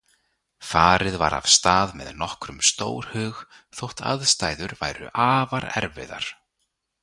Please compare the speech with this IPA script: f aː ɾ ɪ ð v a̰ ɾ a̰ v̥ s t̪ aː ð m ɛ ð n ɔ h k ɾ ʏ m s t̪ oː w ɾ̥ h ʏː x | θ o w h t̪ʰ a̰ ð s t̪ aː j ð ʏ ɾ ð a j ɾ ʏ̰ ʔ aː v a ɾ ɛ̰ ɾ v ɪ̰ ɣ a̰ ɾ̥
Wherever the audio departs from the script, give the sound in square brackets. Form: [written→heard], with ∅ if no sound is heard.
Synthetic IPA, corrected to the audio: f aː ɾ ɪ ð v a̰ ɾ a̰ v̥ s t̪ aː ð m ɛ ð n ɔ h k ɾ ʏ m s t̪ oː w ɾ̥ h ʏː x | θ o w h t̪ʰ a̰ ð s t̪ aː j ð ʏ ɾ [ð→v] a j ɾ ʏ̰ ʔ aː v a ɾ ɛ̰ ɾ v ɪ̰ [ɣ→ð] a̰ ɾ̥